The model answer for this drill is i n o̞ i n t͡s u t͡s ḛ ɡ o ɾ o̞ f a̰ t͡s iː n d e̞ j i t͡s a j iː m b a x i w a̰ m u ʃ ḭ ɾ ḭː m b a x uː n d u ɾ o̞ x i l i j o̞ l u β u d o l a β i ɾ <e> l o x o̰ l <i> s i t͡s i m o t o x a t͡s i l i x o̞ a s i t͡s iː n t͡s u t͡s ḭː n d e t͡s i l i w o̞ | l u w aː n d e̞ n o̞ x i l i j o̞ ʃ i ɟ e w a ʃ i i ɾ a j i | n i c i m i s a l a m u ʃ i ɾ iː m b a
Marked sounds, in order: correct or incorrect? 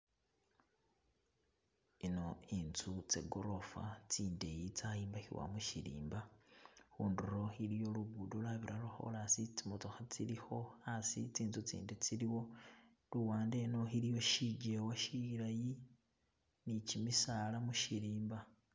incorrect, incorrect

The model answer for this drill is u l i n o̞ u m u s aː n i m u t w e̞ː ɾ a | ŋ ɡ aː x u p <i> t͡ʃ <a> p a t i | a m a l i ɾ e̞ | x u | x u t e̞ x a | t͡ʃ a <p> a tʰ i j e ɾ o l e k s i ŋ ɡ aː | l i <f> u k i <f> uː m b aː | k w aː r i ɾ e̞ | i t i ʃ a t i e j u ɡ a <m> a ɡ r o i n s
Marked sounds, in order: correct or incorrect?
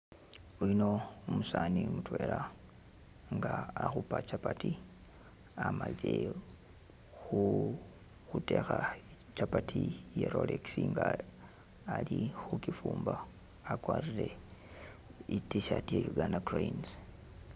incorrect, correct, correct, incorrect, correct, incorrect

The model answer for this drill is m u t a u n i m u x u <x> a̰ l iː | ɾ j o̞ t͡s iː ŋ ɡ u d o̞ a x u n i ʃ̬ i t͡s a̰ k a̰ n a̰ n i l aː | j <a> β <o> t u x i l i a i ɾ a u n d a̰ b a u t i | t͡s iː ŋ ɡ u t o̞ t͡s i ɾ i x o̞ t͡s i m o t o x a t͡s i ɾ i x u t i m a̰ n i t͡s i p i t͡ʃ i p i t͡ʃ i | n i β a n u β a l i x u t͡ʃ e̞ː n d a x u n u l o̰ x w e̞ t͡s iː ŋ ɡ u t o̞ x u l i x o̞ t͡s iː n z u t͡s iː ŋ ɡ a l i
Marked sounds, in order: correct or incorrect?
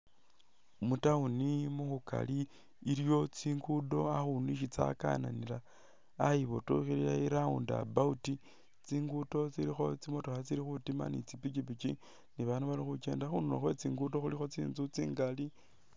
incorrect, incorrect, correct

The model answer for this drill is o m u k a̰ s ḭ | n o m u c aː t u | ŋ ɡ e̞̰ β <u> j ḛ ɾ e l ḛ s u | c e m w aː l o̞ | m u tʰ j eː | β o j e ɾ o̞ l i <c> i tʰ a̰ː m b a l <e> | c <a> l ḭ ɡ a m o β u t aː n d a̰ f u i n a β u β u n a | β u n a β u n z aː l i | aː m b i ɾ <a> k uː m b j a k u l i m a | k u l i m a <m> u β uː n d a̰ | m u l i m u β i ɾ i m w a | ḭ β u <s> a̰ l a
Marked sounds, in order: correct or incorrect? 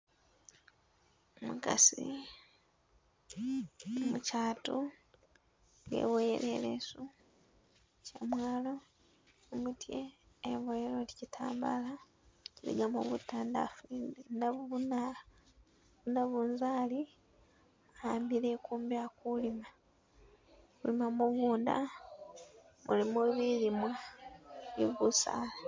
incorrect, correct, incorrect, incorrect, incorrect, correct, correct

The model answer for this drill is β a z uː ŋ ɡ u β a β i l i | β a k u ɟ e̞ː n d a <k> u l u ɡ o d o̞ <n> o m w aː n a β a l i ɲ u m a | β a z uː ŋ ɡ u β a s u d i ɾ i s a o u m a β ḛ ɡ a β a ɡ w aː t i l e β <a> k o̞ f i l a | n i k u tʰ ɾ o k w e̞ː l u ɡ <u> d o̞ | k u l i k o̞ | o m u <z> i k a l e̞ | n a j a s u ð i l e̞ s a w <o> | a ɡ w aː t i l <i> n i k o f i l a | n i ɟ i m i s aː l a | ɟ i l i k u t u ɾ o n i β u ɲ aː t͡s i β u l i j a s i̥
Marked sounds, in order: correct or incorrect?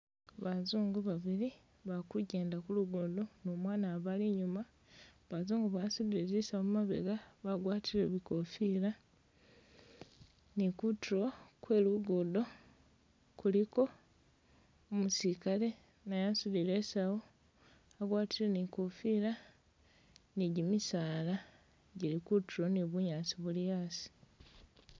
correct, correct, incorrect, incorrect, incorrect, correct, incorrect

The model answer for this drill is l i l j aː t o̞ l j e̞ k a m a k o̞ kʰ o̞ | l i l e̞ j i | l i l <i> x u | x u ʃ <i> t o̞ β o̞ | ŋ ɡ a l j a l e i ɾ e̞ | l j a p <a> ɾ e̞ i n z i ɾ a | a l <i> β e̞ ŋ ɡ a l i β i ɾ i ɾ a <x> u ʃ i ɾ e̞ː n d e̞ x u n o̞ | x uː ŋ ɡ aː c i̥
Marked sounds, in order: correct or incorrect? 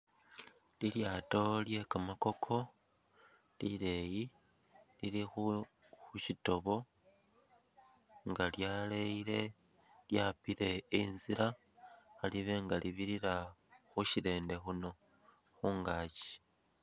correct, correct, incorrect, correct, correct

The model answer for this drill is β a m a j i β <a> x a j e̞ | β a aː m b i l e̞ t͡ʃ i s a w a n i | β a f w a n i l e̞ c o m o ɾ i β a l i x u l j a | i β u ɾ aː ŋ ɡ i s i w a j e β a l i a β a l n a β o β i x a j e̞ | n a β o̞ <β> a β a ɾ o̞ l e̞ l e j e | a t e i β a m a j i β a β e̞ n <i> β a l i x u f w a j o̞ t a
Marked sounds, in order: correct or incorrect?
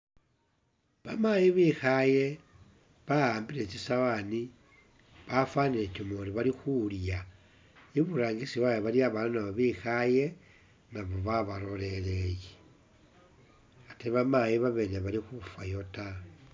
incorrect, correct, incorrect

